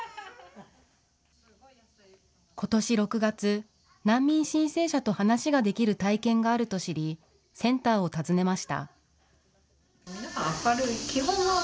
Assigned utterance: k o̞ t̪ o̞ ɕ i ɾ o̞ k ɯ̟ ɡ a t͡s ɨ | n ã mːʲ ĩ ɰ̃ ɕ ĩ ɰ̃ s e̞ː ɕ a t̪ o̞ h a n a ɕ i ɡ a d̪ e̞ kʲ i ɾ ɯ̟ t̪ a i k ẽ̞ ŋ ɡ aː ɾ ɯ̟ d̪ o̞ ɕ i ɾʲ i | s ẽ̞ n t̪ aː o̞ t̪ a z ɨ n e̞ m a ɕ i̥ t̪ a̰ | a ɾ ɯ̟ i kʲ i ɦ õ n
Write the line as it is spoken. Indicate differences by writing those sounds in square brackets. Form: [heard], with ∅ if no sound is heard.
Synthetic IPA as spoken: k o̞ t̪ o̞ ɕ i ɾ o̞ k ɯ̟ ɡ a t͡s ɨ | n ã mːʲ ĩ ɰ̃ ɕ ĩ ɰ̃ s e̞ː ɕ a t̪ o̞ h a n a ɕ i ɡ a d̪ e̞ kʲ i ɾ ɯ̟ t̪ a i k ẽ̞ ŋ ɡ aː ɾ ɯ̟ [t̪] o̞ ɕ i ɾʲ i | s ẽ̞ n t̪ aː o̞ t̪ a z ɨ n e̞ m a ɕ i̥ t̪ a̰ | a ɾ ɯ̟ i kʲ i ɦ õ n

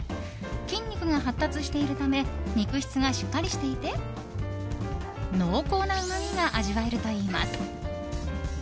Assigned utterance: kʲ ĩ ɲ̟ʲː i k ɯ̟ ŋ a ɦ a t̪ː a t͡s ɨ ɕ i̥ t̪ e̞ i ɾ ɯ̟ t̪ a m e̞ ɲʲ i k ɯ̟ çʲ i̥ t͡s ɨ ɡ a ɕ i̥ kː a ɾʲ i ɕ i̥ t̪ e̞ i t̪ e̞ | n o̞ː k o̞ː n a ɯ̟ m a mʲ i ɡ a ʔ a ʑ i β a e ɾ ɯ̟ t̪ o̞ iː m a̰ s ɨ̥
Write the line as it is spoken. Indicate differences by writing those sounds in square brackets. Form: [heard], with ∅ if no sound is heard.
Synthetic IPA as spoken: kʲ ĩ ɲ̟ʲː i k ɯ̟ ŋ a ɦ a t̪ː a t͡s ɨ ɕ i̥ t̪ e̞ i ɾ ɯ̟ t̪ a m e̞ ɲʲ i k ɯ̟ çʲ i̥ t͡s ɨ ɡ a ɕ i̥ kː a ɾʲ i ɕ i̥ t̪ e̞ i t̪ e̞ | n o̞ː k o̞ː n a ɯ̟ m a mʲ i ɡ a ʔ a ʑ i β a e ɾ ɯ̟ t̪ o̞ iː m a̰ s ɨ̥

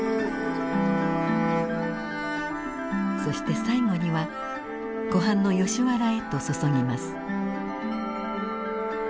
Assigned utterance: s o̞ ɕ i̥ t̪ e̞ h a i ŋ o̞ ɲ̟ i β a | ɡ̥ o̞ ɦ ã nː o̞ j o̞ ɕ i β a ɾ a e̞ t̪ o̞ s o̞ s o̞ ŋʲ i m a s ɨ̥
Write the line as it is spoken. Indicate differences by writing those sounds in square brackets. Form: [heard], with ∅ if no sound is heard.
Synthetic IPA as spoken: s o̞ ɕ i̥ t̪ e̞ [s] a i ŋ o̞ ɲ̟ i β a | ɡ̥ o̞ ɦ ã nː o̞ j o̞ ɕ i β a ɾ a e̞ t̪ o̞ s o̞ s o̞ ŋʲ i m a s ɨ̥

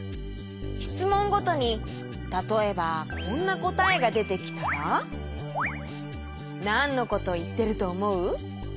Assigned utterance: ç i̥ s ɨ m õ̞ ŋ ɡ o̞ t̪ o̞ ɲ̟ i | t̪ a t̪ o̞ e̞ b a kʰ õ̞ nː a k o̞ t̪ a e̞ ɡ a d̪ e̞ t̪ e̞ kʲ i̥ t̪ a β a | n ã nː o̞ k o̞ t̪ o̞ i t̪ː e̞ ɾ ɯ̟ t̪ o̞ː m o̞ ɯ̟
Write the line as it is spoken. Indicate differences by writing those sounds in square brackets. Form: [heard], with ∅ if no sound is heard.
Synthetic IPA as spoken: ç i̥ [t͡s] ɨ m õ̞ ŋ ɡ o̞ t̪ o̞ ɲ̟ i | t̪ a t̪ o̞ e̞ b a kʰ õ̞ nː a k o̞ t̪ a e̞ ɡ a d̪ e̞ t̪ e̞ kʲ i̥ t̪ a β a | n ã nː o̞ k o̞ t̪ o̞ i t̪ː e̞ ɾ ɯ̟ t̪ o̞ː m o̞ ɯ̟

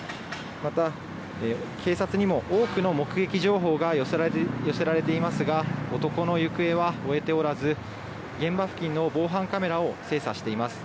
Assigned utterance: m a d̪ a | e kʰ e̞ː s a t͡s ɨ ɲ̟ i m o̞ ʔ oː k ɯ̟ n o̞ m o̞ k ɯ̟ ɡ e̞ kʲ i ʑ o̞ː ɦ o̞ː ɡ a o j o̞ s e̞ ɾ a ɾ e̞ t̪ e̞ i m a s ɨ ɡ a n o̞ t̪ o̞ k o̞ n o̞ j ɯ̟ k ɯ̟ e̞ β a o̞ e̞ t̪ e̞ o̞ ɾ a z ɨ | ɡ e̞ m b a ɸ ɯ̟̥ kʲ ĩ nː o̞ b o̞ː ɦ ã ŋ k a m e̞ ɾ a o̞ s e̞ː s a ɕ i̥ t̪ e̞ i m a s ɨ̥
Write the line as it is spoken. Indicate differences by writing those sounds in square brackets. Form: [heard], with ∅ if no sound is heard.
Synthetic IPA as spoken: m a [t̪] a | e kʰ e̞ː s a t͡s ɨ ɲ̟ i m o̞ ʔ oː k ɯ̟ n o̞ m o̞ k ɯ̟ ɡ e̞ kʲ i ʑ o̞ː ɦ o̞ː ɡ a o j o̞ s e̞ ɾ a ɾ e̞ t̪ e̞ i m a s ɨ ɡ a [∅] o̞ t̪ o̞ k o̞ n o̞ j ɯ̟ k ɯ̟ e̞ β a o̞ e̞ t̪ e̞ o̞ ɾ a z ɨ | ɡ [ẽ̞] m b a ɸ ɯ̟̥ kʲ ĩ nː o̞ b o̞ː ɦ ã ŋ k a m e̞ ɾ a o̞ s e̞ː s a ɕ i̥ t̪ e̞ i m a s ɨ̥

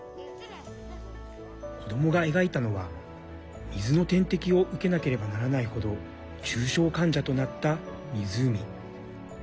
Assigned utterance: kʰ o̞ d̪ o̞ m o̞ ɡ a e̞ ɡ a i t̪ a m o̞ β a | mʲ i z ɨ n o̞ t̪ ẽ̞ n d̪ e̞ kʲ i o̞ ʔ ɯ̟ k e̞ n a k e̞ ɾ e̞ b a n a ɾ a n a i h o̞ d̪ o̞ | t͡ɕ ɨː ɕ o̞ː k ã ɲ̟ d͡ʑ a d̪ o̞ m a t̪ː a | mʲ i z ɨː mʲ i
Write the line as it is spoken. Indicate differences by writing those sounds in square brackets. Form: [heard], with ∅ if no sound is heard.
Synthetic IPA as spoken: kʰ o̞ d̪ o̞ m o̞ ɡ a e̞ ɡ a i t̪ a [n] o̞ β a | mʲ i z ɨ n o̞ t̪ ẽ̞ n [t̪] e̞ kʲ i o̞ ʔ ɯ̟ k e̞ n a k e̞ ɾ e̞ b a n a ɾ a n a i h o̞ d̪ o̞ | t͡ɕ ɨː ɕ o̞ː k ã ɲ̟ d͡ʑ a [t̪] o̞ [n] a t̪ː a | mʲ i z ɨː mʲ i

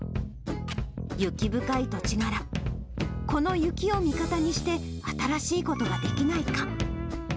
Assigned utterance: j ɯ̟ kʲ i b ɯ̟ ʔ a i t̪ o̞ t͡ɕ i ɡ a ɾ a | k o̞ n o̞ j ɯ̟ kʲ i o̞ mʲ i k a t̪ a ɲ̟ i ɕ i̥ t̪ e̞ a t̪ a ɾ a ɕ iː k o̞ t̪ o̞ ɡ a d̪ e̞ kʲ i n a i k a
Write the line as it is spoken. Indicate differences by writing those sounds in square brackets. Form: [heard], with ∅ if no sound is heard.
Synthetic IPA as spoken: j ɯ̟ kʲ i b ɯ̟ [k] a i t̪ o̞ t͡ɕ i ɡ a ɾ a | k o̞ n o̞ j ɯ̟ kʲ i o̞ mʲ i k a t̪ a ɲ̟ i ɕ i̥ t̪ e̞ a t̪ a ɾ a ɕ iː k o̞ t̪ o̞ ɡ a d̪ e̞ kʲ i n a i k a

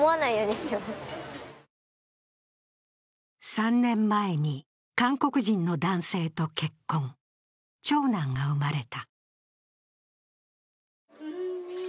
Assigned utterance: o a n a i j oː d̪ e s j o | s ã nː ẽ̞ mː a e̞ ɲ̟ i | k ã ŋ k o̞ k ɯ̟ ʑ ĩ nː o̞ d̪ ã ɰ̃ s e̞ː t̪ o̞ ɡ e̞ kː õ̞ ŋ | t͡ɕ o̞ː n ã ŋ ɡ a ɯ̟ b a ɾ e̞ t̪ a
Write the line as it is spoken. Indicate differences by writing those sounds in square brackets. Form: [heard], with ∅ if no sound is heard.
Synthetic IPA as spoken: o a n a i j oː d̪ e s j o | s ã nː ẽ̞ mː a e̞ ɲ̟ i | k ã ŋ k o̞ k ɯ̟ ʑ ĩ nː o̞ d̪ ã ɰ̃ s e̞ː t̪ o̞ [k] e̞ kː õ̞ ŋ | t͡ɕ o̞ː n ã ŋ ɡ a ɯ̟ [m] a ɾ e̞ t̪ a

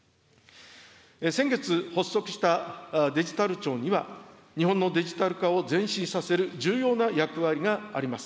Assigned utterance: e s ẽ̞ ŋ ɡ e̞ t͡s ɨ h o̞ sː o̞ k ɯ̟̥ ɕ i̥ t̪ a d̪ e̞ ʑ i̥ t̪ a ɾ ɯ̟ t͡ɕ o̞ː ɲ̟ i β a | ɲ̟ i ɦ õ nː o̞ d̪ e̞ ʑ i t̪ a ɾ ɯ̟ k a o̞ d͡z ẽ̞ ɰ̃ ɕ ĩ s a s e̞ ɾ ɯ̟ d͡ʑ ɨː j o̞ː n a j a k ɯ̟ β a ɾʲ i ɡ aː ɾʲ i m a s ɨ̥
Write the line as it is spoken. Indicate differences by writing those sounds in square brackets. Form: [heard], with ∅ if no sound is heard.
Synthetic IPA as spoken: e s ẽ̞ ŋ ɡ e̞ t͡s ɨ h o̞ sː o̞ k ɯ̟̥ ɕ i̥ t̪ a d̪ e̞ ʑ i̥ t̪ a ɾ ɯ̟ t͡ɕ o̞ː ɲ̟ i β a | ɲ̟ i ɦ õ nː o̞ d̪ e̞ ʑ i t̪ a ɾ ɯ̟ k a o̞ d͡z ẽ̞ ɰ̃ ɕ ĩ s a s e̞ ɾ ɯ̟ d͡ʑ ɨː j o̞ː n a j a k ɯ̟ β a ɾʲ i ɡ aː ɾʲ i m a s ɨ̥

